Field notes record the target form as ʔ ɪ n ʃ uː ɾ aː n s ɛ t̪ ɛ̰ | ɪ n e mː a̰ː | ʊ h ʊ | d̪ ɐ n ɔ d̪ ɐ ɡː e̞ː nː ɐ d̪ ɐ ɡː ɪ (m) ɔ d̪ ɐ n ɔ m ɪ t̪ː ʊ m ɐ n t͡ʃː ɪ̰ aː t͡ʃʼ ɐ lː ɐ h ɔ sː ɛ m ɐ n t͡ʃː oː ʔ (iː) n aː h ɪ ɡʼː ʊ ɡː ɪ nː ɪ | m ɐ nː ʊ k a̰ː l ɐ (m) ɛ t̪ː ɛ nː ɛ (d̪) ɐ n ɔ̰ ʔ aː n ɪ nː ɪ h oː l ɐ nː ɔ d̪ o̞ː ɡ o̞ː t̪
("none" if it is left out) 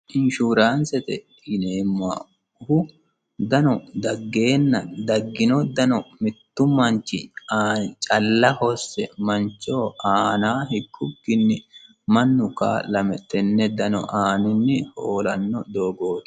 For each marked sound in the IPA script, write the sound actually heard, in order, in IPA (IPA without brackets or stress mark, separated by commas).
n, aː, m, d̪